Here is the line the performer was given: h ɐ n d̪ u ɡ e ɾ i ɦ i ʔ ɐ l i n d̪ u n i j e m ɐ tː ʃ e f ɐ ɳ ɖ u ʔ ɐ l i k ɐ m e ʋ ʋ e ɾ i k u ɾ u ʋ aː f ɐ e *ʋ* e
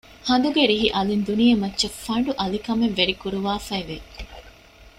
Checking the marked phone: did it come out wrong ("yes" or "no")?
no